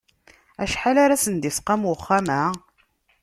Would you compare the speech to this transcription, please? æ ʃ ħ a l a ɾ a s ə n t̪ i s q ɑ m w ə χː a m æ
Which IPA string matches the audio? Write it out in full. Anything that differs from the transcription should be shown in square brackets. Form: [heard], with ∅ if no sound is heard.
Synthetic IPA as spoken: æ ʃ ħ a l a ɾ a s ə n [d̪] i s q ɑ m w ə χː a m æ